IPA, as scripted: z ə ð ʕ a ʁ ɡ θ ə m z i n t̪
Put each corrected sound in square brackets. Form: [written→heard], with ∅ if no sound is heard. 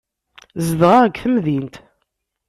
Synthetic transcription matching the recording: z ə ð [ʕ→ʁ] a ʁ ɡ θ ə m [z→ð] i n t̪